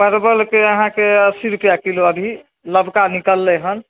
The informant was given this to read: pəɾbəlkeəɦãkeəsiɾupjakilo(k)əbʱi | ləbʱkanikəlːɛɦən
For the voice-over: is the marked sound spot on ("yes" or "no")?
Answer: no